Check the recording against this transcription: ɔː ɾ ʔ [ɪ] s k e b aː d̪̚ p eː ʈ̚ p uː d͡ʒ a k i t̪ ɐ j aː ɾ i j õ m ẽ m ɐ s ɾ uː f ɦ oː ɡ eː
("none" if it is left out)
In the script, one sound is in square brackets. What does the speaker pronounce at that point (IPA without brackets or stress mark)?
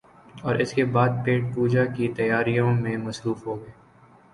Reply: ɪ